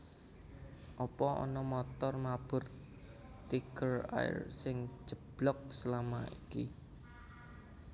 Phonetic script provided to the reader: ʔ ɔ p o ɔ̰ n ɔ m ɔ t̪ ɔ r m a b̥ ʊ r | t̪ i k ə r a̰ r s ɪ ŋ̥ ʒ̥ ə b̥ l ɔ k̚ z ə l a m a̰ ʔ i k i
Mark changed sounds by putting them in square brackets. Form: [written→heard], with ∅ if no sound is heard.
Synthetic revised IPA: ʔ ɔ p [o→ɔ] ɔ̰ n ɔ m ɔ t̪ ɔ r m a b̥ ʊ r | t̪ i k ə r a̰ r s ɪ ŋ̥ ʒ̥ ə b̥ l ɔ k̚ [z→s] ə l a m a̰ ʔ i k i